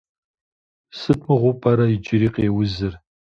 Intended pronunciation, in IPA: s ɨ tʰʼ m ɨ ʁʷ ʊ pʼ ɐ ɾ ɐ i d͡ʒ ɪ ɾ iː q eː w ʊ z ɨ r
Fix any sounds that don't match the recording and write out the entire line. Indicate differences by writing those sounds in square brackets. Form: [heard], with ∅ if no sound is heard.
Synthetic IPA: s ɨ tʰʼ m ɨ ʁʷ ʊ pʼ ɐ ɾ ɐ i d͡ʒ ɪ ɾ iː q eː w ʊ z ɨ r